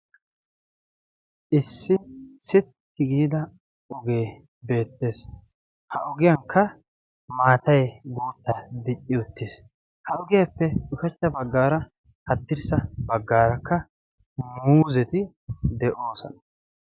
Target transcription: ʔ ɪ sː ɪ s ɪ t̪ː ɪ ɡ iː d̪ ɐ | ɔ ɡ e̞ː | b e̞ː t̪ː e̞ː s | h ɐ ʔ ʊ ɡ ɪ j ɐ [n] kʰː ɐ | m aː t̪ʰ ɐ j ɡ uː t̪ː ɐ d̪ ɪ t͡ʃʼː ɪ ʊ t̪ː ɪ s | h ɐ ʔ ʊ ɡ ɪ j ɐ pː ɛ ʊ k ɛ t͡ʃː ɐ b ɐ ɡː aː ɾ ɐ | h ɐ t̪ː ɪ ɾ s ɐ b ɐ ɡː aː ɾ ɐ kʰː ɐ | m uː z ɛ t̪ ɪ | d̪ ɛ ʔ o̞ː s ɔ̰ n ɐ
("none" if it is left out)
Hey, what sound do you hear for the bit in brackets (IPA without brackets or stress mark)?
ŋ